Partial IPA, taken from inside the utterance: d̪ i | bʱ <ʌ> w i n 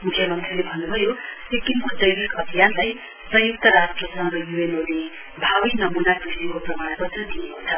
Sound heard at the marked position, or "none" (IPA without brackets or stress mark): a